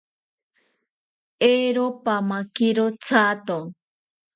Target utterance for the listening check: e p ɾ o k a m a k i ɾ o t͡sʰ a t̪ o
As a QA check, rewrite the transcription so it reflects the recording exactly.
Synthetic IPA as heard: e ɾ o p a m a k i ɾ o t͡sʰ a t̪ o

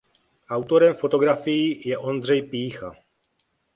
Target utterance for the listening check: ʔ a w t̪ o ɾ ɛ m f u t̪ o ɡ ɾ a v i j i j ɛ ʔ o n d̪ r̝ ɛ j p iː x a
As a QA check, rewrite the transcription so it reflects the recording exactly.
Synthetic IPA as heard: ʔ a w t̪ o ɾ ɛ m f o t̪ o ɡ ɾ a f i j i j ɛ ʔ o n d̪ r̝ ɛ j p iː x a

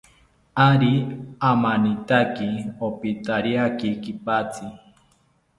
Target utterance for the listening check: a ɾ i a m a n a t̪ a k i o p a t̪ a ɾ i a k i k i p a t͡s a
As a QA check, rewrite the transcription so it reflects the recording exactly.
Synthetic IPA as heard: a ɾ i a m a n i t̪ a k i o p i t̪ a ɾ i a k i k i p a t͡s i

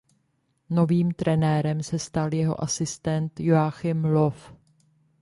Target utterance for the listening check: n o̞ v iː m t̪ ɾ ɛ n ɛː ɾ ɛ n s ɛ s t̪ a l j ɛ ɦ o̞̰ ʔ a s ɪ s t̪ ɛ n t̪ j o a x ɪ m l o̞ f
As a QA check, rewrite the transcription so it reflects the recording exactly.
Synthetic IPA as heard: n o̞ v iː m t̪ ɾ ɛ n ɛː ɾ ɛ m s ɛ s t̪ a l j ɛ ɦ o̞̰ ʔ a s ɪ s t̪ ɛ n t̪ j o a x ɪ m l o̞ f

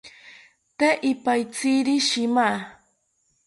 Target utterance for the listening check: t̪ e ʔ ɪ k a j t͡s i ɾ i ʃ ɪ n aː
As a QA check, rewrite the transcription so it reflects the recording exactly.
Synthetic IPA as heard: t̪ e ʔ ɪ p a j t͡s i ɾ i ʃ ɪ m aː

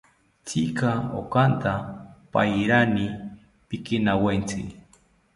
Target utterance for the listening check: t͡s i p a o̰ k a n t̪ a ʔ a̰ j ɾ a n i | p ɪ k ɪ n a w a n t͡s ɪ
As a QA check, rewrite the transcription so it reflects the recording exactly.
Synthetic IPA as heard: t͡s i k a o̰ k a n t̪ a p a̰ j ɾ a n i | p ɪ k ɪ n a w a n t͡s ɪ

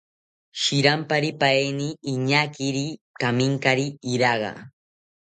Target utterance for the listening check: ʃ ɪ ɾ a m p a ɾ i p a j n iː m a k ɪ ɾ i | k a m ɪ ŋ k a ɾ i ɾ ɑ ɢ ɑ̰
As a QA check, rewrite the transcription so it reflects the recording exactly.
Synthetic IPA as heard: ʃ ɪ ɾ a m p a ɾ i p a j n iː ɲ a k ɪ ɾ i | k a m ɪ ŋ k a ɾ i ɾ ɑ ɢ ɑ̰

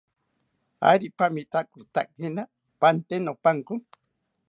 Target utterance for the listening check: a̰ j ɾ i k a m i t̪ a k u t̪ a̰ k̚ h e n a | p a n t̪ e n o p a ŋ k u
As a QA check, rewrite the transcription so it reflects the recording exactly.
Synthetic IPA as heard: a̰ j ɾ i p a m i t̪ a k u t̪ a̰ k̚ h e n a | p a n t̪ e n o p a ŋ k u

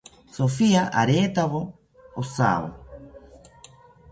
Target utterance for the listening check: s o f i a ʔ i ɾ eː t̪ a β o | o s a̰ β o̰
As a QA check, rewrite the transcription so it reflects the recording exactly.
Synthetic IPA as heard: s o f i a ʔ a ɾ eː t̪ a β o | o s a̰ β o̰

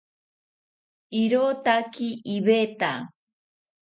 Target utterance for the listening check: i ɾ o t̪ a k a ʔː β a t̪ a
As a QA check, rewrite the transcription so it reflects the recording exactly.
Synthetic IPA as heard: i ɾ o t̪ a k i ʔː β e t̪ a

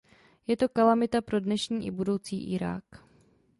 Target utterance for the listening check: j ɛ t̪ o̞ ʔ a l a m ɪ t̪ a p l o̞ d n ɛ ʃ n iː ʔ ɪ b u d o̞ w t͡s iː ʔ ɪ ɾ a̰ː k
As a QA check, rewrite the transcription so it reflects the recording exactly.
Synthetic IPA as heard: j ɛ t̪ o̞ k a l a m ɪ t̪ a p ɾ o̞ d n ɛ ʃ ɲ iː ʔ ɪ b u d o̞ w t͡s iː ʔ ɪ ɾ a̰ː k

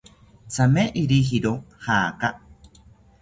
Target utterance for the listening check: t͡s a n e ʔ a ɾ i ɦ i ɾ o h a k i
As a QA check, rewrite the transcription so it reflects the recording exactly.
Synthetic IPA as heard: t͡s a m e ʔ i ɾ i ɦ i ɾ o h a k a

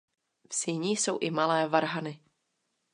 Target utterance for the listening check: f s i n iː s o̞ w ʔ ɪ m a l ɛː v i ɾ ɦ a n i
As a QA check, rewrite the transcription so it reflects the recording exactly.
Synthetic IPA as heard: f s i ɲ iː s o̞ w ʔ ɪ m a l ɛː v a ɾ ɦ a n ɪ

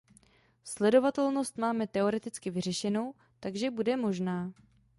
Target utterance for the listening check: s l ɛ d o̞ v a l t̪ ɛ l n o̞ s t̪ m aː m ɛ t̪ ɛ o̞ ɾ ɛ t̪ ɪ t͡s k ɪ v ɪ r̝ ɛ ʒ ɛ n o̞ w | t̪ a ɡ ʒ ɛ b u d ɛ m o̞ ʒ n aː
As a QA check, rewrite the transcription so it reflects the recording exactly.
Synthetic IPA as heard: s l ɛ d o̞ v a t̪ ɛ l n o̞ s t̪ m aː m ɛ t̪ ɛ o̞ ɾ ɛ t̪ ɪ t͡s k ɪ v ɪ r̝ ɛ ʃ ɛ n o̞ w | t̪ a ɡ ʒ ɛ b u d ɛ m o̞ ʒ n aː

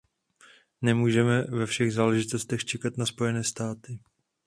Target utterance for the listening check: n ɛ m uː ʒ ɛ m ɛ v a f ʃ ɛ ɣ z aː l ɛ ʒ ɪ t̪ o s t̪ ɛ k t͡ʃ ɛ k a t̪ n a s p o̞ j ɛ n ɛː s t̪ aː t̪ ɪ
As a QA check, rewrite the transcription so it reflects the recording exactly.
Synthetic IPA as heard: n ɛ m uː ʒ ɛ m ɛ v ɛ f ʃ ɛ ɣ z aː l ɛ ʒ ɪ t̪ o s t̪ ɛ x t͡ʃ ɛ k a t̪ n a s p o̞ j ɛ n ɛː s t̪ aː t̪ ɪ

